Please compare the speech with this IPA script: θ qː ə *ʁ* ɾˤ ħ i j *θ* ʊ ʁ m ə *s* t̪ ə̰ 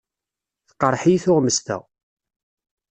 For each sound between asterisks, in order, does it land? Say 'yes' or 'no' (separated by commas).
no, yes, yes